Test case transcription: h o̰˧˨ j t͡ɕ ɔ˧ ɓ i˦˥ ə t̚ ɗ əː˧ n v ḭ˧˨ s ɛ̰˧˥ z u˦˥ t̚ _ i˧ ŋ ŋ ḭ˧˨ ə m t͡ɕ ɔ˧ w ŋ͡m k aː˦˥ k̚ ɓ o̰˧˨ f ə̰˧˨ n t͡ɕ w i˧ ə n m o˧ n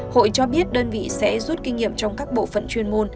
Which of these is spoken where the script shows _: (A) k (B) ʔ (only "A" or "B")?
A